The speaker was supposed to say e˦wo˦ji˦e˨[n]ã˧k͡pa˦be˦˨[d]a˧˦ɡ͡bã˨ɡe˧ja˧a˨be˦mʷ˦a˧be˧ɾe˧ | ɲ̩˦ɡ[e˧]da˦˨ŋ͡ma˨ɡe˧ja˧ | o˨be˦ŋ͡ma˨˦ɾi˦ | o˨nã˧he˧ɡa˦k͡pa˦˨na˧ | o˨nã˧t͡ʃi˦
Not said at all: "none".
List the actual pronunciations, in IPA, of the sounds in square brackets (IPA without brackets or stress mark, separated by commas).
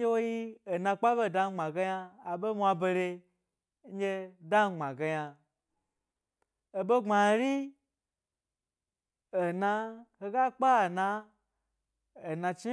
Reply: n, d, e˧